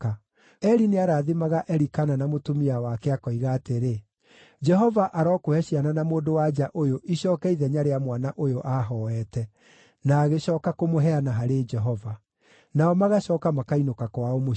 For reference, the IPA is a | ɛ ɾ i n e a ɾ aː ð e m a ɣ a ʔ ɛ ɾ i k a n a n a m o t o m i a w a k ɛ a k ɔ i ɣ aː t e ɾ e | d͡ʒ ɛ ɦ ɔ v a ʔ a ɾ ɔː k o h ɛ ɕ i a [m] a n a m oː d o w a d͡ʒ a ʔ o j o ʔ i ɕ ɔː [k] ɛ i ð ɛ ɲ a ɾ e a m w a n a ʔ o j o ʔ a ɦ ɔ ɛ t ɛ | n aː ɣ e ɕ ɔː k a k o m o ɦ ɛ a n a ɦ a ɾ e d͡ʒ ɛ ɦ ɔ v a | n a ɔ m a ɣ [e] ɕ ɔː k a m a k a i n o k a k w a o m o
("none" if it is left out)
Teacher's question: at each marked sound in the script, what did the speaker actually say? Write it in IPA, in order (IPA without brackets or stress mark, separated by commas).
n, k, a